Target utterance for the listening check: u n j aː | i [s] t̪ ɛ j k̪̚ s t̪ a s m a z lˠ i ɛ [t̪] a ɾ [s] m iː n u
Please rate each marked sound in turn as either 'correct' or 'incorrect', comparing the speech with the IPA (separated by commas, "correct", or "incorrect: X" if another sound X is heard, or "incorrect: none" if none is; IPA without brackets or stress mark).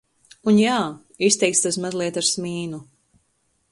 correct, correct, correct